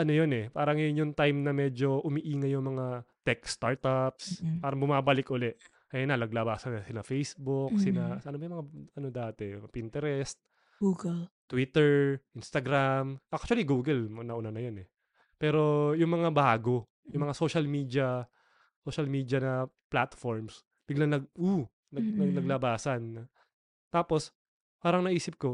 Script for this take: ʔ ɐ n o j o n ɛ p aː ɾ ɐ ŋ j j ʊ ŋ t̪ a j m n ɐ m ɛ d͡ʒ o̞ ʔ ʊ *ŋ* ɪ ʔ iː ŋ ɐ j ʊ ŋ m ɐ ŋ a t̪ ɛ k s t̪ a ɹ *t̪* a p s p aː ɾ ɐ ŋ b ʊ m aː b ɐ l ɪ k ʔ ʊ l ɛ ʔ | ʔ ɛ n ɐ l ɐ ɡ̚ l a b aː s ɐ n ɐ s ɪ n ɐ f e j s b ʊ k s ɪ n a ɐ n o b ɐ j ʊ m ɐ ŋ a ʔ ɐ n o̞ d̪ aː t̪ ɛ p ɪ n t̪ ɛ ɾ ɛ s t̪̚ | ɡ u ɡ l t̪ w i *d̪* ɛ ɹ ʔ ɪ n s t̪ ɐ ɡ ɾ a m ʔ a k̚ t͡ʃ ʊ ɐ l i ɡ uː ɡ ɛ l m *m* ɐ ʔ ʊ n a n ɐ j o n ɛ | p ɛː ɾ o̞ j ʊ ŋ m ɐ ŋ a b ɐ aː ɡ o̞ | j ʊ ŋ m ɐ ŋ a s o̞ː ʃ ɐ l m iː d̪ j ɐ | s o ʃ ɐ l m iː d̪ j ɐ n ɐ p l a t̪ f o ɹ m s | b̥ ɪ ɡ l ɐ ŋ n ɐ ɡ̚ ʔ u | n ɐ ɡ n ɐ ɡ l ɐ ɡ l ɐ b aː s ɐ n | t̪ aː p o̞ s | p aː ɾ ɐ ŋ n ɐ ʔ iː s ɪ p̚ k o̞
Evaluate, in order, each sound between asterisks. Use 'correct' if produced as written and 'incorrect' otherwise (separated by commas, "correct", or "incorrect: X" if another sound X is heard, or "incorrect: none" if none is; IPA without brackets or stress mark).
incorrect: m, correct, incorrect: t̪, incorrect: n